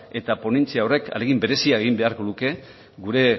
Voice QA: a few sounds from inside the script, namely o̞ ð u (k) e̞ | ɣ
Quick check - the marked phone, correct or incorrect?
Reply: correct